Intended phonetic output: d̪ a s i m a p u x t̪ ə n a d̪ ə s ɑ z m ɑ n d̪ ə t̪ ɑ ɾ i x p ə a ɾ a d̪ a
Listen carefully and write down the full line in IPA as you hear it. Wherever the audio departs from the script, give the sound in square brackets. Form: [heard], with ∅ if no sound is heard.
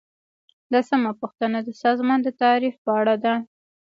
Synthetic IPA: d̪ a s [a] m a p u x t̪ ə n a d̪ ə s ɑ z m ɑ n d̪ ə t̪ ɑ ɾ i [f] p ə a [ɽ] a d̪ a